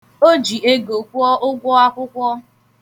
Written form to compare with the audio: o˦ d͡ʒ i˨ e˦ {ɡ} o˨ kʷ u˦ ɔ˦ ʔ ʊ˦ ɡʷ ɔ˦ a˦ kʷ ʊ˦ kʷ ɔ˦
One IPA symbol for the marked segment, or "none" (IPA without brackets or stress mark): ɡ